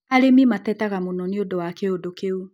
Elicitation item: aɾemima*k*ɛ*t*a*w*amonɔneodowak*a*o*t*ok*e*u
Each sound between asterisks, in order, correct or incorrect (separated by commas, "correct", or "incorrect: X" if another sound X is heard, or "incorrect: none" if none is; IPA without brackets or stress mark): incorrect: t, correct, incorrect: ɣ, incorrect: e, incorrect: d, correct